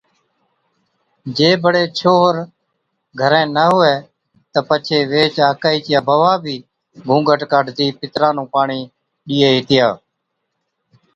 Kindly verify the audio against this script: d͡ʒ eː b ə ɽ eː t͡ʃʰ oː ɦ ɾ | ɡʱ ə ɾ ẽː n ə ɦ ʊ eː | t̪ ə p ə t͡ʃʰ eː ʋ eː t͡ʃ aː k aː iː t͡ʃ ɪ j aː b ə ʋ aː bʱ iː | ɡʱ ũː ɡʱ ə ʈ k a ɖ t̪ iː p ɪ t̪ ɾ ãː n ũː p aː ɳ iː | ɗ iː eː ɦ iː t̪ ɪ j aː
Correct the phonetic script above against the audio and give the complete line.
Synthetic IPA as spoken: d͡ʒ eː b ə ɽ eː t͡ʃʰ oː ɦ ɾ | ɡʱ ə ɾ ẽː n ə ɦ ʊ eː | t̪ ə p ə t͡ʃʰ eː ʋ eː t͡ʃ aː k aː iː t͡ʃ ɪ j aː b ə ʋ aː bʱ iː | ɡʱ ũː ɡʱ ə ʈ k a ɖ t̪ iː p ɪ t̪ ɾ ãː n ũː p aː ɳ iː | ɗ iː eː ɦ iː t̪ ɪ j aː